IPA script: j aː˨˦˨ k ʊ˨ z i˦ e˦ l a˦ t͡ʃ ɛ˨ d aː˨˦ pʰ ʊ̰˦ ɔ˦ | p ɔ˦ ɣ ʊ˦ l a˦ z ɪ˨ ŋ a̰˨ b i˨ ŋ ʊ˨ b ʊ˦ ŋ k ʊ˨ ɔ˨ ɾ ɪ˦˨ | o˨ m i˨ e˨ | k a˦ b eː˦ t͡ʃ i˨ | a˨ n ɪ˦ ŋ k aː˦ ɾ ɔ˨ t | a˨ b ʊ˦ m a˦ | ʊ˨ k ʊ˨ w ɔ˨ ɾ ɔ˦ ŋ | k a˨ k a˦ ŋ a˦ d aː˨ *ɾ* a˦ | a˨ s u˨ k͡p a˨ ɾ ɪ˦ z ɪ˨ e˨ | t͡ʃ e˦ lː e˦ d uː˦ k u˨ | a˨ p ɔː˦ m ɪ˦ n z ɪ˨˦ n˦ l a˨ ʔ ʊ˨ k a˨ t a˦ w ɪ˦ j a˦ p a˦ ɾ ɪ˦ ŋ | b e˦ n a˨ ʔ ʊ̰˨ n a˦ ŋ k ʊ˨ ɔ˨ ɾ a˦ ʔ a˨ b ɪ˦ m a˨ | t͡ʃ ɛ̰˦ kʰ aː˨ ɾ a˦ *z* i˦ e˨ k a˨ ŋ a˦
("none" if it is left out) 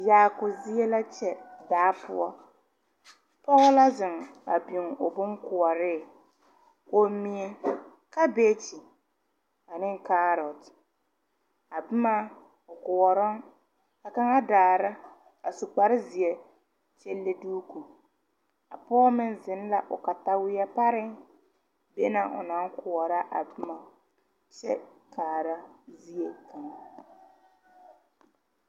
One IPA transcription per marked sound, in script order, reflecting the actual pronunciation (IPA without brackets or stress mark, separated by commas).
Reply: ɾ, z